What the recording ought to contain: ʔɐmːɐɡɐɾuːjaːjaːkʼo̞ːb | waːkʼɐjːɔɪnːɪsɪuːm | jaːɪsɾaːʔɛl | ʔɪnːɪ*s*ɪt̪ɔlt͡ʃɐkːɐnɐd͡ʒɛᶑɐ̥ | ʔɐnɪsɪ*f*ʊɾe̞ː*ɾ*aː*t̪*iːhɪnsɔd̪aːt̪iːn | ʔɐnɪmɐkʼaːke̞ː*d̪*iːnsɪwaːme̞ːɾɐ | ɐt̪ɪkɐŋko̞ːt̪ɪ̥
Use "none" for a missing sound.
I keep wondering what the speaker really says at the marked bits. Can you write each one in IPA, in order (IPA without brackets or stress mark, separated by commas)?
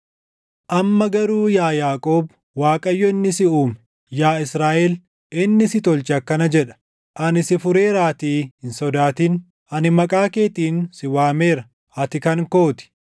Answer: s, f, ɾ, t̪, t̪